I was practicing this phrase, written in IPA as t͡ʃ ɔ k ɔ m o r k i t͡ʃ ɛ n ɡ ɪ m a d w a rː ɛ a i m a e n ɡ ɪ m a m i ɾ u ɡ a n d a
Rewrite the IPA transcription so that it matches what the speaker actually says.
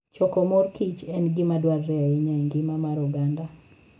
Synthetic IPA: t͡ʃ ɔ k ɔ m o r k i t͡ʃ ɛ n ɡ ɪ m a d w a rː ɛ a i ɲ a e ŋ ɡ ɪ m a m a ɾ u ɡ a n d a